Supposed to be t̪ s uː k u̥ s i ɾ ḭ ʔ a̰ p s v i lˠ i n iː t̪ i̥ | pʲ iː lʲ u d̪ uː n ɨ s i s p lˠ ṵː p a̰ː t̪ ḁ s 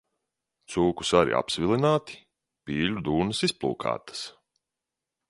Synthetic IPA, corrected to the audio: t̪ s uː k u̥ s a ɾ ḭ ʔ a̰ p s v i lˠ i n aː t̪ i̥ | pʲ iː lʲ u d̪ uː n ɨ s i s p lˠ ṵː k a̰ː t̪ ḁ s